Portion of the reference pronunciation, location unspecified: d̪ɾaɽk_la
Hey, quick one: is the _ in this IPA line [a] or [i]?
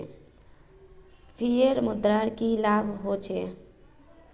i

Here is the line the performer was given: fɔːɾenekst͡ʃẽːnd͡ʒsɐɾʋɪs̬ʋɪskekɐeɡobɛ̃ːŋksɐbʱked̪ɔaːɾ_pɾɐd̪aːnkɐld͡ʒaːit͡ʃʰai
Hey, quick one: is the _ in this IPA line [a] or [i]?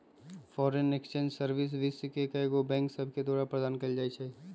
a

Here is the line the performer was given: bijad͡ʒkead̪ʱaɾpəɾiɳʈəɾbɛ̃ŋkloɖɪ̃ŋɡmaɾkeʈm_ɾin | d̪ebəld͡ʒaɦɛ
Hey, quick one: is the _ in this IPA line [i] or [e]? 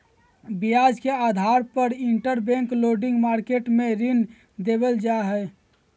e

